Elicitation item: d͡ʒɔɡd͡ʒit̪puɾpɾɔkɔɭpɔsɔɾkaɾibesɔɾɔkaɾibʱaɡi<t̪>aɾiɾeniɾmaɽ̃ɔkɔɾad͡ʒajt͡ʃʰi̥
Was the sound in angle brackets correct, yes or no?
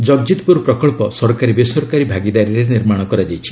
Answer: no